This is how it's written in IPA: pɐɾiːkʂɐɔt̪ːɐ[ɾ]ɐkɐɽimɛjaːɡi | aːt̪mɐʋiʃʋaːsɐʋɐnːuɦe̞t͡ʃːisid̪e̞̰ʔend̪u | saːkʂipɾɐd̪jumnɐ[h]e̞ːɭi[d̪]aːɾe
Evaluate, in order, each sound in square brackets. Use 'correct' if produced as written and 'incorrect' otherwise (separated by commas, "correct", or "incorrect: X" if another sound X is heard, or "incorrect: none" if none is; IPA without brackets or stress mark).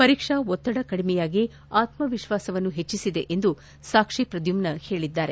incorrect: ɽ, correct, incorrect: d̪ː